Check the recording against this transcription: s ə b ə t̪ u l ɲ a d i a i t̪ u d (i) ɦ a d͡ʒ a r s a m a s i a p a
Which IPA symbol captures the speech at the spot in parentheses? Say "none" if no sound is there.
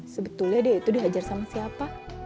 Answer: i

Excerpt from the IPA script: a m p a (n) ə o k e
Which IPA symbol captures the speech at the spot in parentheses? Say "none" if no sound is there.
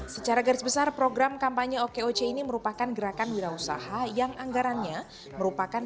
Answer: ɲ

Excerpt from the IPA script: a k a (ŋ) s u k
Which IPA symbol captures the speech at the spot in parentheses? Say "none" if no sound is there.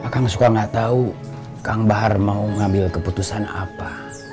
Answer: ŋ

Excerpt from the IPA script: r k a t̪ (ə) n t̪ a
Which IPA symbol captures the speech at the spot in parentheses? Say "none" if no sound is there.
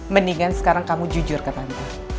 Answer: a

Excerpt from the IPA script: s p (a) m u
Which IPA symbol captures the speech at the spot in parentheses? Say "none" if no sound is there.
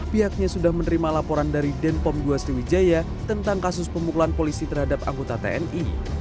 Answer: ə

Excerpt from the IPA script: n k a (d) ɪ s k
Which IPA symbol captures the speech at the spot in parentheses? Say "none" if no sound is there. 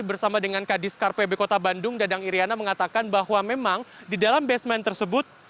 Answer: d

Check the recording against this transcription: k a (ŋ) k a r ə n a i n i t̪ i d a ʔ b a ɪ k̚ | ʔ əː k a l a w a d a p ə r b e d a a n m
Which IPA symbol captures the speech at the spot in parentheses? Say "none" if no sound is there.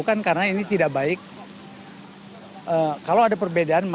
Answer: n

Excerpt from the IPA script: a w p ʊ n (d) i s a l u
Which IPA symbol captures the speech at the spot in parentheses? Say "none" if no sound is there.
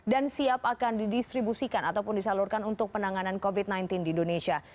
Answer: d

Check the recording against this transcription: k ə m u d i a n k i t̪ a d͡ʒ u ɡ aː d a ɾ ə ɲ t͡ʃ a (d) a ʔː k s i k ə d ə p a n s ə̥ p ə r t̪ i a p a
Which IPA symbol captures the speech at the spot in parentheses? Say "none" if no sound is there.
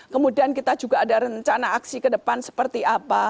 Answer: n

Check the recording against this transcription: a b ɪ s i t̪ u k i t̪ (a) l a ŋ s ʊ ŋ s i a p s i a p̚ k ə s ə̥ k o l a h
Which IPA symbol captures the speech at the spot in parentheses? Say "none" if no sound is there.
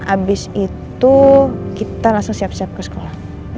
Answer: a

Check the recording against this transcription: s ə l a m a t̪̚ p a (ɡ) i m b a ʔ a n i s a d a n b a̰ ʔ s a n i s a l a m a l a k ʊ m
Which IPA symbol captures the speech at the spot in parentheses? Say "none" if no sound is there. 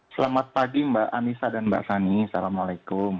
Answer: ɡ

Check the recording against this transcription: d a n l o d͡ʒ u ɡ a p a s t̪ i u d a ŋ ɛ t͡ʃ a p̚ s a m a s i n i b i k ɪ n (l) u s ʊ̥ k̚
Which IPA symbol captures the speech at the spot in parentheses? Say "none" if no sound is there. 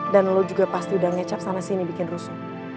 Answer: r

